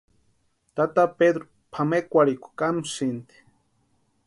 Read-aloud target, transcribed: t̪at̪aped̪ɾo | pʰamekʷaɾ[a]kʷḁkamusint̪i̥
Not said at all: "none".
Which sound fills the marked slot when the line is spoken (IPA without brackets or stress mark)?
i